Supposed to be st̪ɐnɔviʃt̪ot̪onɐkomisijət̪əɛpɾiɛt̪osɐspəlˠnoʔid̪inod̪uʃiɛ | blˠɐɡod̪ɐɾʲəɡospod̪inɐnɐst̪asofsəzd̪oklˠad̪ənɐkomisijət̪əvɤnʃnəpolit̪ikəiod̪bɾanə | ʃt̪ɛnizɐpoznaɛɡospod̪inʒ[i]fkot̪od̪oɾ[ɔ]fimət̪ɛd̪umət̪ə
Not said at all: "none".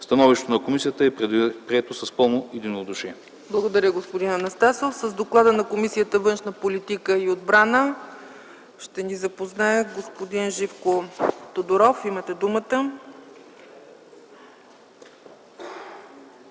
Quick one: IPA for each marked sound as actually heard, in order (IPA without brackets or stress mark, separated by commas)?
i, ɔ